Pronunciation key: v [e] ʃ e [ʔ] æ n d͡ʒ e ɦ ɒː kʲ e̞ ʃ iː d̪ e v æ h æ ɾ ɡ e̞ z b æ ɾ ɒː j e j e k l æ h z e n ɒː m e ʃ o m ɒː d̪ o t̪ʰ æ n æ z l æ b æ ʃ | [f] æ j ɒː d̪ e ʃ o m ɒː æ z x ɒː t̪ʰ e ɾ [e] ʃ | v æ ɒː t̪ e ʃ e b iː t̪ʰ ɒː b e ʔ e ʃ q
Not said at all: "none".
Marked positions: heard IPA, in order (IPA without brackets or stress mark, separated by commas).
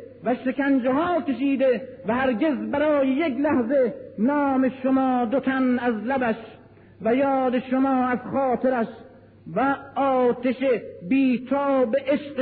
æ, k, v, æ